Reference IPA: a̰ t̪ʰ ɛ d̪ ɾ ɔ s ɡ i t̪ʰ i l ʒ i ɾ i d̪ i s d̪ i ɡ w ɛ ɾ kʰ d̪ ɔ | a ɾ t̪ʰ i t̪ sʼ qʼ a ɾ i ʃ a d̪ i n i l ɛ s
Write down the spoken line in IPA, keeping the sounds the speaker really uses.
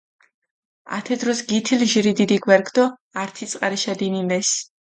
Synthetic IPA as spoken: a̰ t̪ʰ ɛ d̪ ɾ ɔ s ɡ i t̪ʰ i l ʒ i ɾ i d̪ i d̪ i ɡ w ɛ ɾ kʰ d̪ ɔ | a ɾ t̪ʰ i t̪ sʼ qʼ a ɾ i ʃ a d̪ i n i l ɛ s